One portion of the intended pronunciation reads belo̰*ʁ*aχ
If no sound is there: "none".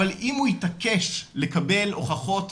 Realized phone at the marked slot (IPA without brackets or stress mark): χ